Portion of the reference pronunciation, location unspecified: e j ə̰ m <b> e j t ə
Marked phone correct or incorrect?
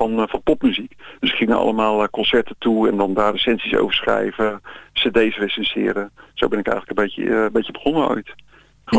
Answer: correct